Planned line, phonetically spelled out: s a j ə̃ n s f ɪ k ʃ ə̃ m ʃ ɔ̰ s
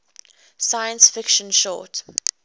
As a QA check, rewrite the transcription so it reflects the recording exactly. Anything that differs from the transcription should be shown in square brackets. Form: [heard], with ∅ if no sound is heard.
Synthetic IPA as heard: s a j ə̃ n s f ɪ k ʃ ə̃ [n] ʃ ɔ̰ [t]